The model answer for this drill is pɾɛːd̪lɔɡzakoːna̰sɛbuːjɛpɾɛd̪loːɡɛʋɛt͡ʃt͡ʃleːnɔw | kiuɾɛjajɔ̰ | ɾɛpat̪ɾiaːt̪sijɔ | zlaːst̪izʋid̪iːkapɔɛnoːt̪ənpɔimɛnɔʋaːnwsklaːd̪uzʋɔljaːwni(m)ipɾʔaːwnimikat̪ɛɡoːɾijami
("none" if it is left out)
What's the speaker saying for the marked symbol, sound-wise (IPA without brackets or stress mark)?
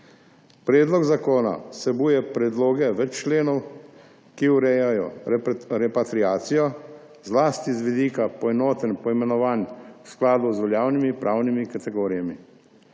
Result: m